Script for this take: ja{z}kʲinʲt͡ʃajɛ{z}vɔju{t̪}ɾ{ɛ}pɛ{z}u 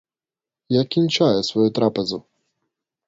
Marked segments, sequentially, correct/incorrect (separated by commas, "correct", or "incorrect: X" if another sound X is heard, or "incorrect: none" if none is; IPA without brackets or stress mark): incorrect: none, incorrect: s, correct, incorrect: a, correct